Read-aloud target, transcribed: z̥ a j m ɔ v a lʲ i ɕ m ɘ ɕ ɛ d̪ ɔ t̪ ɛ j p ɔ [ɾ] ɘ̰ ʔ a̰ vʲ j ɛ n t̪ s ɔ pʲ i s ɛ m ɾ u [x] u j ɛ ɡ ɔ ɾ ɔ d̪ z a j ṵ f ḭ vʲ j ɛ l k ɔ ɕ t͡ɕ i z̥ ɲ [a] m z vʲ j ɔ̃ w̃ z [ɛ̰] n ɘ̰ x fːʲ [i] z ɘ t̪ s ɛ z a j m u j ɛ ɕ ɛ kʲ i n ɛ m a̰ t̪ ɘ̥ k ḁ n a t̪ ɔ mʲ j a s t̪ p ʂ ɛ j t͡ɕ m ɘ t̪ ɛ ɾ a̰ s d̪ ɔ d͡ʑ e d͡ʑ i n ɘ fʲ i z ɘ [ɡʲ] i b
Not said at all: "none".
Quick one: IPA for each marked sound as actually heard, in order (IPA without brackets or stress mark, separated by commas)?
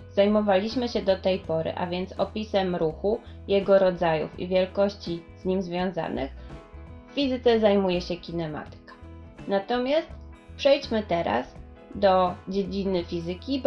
ɾ, x, i, a̰, i, kʲ